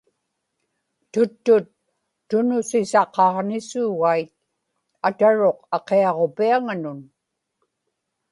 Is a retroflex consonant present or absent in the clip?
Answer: present